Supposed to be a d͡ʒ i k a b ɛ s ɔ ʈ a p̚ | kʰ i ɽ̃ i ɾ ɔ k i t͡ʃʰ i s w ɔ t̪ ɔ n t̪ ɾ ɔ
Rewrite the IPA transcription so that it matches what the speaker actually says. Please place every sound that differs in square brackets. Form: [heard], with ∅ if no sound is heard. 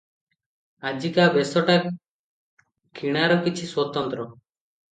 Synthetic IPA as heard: a d͡ʒ i k a b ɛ s ɔ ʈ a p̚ | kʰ i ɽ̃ [a] ɾ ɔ k i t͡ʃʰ i s w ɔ t̪ ɔ n t̪ ɾ ɔ